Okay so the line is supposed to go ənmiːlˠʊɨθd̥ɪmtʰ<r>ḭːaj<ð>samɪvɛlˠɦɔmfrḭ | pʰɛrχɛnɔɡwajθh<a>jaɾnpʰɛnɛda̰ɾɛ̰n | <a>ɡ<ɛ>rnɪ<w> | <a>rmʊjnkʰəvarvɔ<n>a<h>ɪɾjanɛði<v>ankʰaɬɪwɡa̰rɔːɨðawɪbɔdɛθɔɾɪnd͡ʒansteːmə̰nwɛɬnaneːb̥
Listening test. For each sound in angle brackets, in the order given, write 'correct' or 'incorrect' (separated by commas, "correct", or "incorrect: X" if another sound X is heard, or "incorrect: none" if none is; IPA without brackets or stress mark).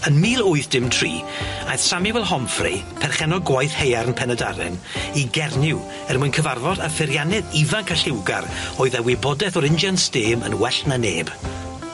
correct, incorrect: θ, incorrect: e, incorrect: i, correct, correct, incorrect: ɛ, incorrect: d, incorrect: f, correct